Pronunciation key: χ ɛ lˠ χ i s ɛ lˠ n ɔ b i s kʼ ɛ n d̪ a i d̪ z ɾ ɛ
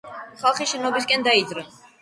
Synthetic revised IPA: χ a lˠ χ i ʃ ɛ n ɔ b i s kʼ ɛ n d̪ a i d̪ z ɾ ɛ